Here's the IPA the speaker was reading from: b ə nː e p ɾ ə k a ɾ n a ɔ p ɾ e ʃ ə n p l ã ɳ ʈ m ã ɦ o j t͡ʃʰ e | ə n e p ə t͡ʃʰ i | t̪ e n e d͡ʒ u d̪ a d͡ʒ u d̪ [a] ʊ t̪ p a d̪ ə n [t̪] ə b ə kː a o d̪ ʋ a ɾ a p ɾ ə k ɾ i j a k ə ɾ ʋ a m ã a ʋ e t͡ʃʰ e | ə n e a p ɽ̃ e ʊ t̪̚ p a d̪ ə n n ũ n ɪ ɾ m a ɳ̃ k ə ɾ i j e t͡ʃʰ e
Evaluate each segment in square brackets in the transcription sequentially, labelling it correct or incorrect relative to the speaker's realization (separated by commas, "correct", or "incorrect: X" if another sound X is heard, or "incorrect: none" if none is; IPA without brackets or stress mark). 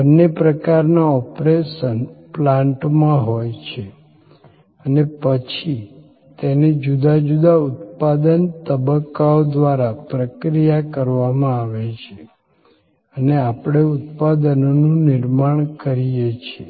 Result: correct, correct